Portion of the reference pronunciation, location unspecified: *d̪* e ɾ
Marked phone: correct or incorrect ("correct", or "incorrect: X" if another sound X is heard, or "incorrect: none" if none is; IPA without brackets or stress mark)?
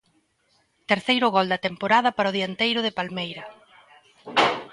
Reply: incorrect: t̪